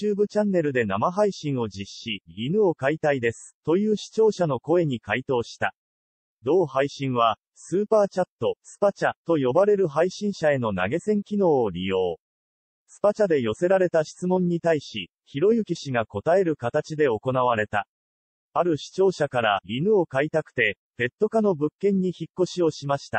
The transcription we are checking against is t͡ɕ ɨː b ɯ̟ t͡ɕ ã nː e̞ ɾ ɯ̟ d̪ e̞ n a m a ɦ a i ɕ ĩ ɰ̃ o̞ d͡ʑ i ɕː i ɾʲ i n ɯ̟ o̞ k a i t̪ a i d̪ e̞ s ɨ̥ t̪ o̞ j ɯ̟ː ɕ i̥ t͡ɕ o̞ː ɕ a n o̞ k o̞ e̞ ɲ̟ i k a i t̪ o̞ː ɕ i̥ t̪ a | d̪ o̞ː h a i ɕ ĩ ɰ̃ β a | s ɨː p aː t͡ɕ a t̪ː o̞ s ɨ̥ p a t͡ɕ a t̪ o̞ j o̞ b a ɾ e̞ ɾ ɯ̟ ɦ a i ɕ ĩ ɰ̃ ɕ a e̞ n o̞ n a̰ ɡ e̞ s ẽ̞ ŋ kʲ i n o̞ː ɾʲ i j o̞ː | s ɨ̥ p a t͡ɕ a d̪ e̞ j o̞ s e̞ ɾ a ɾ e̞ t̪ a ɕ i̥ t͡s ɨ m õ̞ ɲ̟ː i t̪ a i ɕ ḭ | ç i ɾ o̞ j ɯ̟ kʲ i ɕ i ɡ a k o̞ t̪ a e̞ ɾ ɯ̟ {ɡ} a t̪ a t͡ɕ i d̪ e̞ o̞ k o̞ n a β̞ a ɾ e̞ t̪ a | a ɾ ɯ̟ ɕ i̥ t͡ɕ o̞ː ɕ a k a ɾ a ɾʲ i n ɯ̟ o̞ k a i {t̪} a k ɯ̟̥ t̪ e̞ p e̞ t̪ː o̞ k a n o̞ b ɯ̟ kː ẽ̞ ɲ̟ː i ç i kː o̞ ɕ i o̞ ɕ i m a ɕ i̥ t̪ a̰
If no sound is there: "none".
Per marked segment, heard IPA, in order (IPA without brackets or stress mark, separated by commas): k, t̪